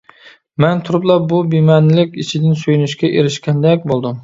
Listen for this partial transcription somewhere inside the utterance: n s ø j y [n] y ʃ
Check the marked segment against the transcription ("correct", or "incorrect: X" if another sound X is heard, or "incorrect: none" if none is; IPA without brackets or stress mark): correct